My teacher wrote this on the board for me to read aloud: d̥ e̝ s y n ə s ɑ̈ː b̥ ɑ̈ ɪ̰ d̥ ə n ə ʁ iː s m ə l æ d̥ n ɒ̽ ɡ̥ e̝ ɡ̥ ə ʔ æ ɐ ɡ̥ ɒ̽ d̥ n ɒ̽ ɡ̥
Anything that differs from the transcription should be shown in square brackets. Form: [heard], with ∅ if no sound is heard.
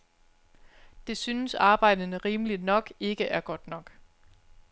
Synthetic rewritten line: d̥ e̝ s y n ə s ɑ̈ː b̥ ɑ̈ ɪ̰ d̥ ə n ə ʁ iː [∅] m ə l [i] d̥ n ɒ̽ ɡ̥ e̝ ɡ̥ ə ʔ æ ɐ ɡ̥ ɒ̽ d̥ n ɒ̽ ɡ̥